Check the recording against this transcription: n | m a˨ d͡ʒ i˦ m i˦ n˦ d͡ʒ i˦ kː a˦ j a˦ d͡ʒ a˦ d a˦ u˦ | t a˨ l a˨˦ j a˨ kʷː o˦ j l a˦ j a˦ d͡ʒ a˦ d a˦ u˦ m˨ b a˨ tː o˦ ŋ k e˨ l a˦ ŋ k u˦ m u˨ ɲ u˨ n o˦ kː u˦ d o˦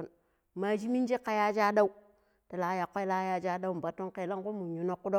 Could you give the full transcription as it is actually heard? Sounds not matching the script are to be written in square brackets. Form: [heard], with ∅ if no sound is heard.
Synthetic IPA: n | m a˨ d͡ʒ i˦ m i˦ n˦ d͡ʒ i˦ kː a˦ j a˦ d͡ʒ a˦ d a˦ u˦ | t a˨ l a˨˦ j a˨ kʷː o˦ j l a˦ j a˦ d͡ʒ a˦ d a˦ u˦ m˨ b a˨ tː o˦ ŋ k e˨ l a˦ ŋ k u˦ m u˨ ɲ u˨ n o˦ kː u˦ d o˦